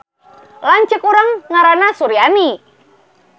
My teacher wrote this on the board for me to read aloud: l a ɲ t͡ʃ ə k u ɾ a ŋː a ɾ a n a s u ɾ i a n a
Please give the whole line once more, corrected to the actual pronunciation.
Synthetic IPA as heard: l a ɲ t͡ʃ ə k u ɾ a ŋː a ɾ a n a s u ɾ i a n i